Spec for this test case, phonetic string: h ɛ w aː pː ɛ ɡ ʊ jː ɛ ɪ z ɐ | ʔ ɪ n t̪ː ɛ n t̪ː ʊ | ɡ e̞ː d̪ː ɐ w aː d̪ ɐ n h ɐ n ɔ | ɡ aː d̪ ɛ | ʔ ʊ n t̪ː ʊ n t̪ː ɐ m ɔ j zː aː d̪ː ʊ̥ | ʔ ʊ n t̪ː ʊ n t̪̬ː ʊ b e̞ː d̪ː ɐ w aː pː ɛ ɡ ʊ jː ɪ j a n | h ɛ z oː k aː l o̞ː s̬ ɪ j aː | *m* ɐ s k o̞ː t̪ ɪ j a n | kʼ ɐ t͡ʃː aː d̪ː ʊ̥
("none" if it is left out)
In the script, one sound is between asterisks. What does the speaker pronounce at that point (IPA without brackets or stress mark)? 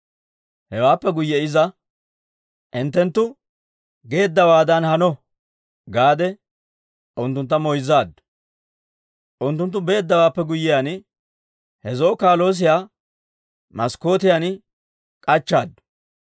m